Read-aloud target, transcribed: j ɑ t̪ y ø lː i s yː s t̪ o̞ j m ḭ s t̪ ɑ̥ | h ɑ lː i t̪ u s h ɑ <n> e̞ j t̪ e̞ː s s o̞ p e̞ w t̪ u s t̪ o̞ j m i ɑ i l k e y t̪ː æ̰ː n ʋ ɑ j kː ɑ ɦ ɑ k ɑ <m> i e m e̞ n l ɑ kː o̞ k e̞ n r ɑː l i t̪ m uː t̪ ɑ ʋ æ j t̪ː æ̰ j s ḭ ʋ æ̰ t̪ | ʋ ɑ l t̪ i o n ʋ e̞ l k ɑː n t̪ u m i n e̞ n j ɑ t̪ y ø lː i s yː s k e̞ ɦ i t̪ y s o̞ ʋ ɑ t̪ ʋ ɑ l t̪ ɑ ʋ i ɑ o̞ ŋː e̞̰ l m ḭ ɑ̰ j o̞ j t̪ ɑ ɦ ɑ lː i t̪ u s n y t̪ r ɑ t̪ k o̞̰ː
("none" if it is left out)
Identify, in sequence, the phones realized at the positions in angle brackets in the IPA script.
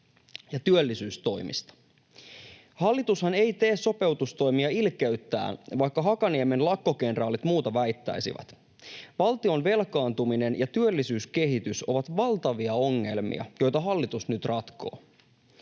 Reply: n, n

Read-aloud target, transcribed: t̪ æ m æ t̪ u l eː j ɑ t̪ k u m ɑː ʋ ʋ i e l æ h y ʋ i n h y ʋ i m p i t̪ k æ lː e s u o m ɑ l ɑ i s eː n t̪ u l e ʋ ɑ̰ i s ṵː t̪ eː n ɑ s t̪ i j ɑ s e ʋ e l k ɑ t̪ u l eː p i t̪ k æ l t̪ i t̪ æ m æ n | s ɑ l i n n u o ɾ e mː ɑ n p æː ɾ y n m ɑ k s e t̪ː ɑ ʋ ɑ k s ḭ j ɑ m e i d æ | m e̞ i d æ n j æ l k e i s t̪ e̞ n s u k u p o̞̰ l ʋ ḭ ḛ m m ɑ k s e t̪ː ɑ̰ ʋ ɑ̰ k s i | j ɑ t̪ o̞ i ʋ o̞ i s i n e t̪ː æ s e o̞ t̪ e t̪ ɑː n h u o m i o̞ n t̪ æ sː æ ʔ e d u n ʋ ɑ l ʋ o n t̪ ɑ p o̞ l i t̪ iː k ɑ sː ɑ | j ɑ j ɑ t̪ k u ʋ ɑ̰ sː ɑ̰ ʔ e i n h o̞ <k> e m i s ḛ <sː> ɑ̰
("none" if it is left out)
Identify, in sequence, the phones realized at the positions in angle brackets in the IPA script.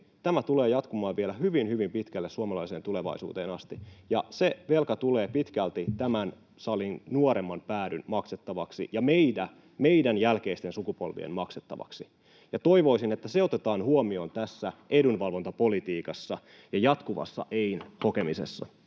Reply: k, sː

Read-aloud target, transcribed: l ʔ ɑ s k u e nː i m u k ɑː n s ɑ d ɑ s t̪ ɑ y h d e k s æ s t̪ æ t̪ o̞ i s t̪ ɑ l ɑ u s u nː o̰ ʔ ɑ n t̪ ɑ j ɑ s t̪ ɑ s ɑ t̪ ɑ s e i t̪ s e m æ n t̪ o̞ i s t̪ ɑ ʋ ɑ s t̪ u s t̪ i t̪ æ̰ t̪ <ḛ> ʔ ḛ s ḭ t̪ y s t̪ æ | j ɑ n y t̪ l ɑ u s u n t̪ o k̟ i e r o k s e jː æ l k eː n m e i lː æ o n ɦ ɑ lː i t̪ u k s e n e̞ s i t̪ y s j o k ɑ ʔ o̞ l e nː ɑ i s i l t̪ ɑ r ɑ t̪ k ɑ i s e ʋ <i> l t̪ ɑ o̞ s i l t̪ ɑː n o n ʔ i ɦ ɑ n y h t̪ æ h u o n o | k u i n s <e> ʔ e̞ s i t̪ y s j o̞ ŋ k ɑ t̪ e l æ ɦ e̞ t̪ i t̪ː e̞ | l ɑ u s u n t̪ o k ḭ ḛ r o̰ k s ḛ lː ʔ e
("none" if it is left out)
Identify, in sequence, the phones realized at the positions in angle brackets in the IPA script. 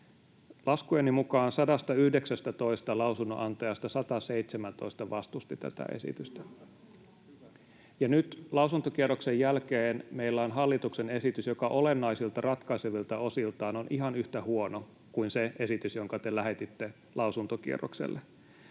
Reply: æ̰, i, e

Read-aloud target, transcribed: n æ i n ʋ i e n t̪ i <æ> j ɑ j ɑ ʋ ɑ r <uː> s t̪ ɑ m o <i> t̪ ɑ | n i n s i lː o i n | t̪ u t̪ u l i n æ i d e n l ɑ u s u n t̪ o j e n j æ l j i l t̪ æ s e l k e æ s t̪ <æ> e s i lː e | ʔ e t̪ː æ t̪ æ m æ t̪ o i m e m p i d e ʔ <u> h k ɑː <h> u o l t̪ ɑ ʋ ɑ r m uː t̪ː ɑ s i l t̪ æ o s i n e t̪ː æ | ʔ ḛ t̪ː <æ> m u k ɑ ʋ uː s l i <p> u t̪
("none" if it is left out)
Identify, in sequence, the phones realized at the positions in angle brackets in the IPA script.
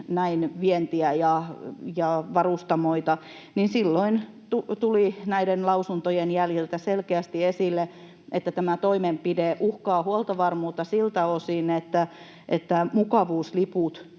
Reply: æ, u, i, i, u, h, æ, p

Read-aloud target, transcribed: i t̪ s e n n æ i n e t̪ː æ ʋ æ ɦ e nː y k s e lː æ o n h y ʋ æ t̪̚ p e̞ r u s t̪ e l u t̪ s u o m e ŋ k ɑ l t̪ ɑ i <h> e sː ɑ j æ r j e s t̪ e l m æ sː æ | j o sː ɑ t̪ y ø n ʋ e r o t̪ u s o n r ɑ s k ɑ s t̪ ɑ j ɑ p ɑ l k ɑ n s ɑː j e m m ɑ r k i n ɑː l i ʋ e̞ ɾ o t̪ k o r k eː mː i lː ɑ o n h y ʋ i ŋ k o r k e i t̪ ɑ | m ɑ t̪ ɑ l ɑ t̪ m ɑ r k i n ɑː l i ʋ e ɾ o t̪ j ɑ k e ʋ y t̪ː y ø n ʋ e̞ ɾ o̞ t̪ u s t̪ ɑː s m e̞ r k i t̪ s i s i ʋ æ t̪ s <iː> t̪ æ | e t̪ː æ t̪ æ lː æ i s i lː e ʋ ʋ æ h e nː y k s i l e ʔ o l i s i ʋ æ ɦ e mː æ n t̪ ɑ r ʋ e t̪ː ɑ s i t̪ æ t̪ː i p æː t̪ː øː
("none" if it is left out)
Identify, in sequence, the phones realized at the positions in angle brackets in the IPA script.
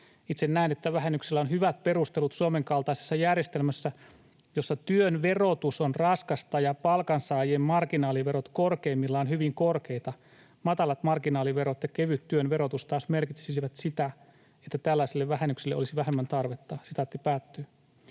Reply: s, i

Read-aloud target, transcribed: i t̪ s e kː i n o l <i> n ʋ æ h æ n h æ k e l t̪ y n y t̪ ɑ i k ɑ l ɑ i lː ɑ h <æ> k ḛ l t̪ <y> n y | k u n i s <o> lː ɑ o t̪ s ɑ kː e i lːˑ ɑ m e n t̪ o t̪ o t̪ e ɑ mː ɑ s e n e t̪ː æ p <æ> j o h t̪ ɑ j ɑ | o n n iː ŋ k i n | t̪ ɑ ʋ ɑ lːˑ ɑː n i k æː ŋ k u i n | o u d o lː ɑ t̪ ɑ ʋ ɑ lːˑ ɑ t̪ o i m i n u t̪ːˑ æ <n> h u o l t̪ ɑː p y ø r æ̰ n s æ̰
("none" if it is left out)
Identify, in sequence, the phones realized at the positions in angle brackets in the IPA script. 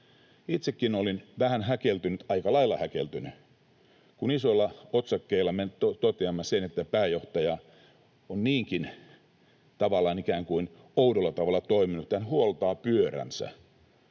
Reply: i, æ, y, o, æː, n

